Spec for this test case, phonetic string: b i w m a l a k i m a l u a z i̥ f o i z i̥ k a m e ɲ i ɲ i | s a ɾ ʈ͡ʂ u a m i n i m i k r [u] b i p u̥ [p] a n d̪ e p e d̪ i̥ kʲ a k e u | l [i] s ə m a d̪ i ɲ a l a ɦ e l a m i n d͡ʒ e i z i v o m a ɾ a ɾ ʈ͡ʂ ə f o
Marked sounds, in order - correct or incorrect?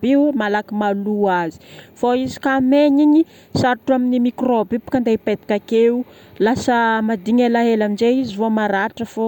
incorrect: o, incorrect: k, incorrect: a

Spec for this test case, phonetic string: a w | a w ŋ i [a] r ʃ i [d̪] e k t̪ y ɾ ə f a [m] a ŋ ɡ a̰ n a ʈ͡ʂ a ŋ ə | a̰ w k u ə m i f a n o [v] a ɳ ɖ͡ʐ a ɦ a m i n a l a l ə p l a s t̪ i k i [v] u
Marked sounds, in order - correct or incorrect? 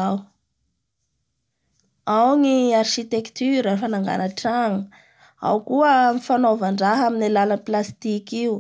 correct, incorrect: t̪, incorrect: n, correct, incorrect: none

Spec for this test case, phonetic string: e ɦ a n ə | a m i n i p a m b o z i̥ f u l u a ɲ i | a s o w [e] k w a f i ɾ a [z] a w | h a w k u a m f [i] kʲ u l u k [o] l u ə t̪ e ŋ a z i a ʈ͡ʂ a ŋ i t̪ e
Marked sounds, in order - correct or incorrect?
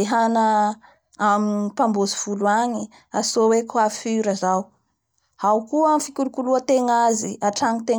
correct, correct, correct, incorrect: u

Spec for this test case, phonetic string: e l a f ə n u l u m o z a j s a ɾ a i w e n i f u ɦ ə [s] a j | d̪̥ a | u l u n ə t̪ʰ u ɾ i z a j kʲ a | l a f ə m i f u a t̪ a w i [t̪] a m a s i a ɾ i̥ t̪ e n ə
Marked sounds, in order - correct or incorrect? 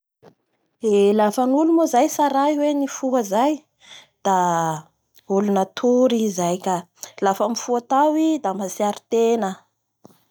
incorrect: z, incorrect: d̪

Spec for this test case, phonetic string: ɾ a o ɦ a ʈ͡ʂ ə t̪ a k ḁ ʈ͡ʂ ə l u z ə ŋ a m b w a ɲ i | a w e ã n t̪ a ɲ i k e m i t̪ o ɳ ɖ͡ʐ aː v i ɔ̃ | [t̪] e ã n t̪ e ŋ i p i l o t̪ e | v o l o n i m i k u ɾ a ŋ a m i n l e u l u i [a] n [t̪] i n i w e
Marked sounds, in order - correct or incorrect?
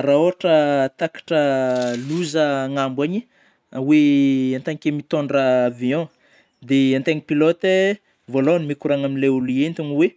incorrect: d̪, incorrect: e, correct

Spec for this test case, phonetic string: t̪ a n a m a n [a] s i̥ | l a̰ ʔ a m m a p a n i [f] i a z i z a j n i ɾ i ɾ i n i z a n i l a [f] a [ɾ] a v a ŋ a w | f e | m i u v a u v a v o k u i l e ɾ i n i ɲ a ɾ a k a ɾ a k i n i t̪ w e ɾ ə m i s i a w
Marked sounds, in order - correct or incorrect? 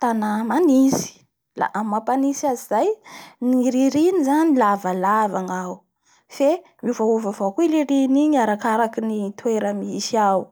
incorrect: i, incorrect: s, incorrect: v, incorrect: l

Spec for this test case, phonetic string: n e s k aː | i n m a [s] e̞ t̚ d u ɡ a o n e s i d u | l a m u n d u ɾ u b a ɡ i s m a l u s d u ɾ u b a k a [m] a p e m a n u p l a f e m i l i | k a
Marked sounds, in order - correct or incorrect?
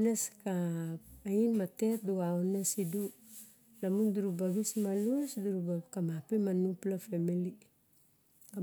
incorrect: t, correct

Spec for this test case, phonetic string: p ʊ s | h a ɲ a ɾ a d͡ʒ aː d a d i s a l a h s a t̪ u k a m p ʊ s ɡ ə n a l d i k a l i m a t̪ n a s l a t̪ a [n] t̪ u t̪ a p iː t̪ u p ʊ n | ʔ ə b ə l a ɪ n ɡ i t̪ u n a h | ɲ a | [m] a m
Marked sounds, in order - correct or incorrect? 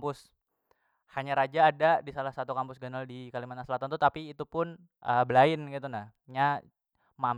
correct, correct

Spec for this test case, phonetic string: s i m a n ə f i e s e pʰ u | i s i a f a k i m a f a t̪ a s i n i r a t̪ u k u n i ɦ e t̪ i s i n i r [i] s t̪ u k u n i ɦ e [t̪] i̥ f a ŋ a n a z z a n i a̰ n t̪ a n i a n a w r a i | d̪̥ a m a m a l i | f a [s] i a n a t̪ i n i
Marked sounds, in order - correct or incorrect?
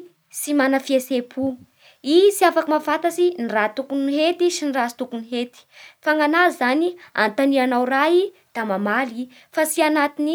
incorrect: a, correct, correct

